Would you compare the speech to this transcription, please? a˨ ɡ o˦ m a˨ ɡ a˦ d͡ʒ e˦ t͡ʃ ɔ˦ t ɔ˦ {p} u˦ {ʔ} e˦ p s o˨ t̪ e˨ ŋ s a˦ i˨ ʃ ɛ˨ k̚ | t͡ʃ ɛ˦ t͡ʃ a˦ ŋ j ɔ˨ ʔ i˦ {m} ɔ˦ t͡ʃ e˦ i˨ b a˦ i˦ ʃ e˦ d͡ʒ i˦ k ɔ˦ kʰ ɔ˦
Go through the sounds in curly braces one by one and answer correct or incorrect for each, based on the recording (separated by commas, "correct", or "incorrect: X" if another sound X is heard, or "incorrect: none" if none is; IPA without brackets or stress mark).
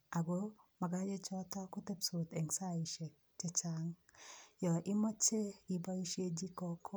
incorrect: k, incorrect: t, correct